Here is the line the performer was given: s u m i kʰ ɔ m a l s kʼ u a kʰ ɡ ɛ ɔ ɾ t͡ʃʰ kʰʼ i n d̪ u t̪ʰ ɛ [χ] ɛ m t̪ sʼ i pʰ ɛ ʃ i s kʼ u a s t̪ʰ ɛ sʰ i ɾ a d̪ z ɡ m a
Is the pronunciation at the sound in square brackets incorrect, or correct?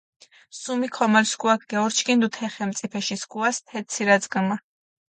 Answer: correct